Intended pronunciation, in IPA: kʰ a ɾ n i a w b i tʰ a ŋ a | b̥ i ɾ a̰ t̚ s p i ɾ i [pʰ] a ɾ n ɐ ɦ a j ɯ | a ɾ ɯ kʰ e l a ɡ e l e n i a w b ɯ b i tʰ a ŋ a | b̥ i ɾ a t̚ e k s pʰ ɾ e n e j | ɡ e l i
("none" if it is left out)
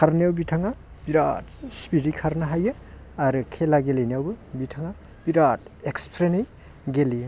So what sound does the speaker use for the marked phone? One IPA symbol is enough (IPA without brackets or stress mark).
kʰ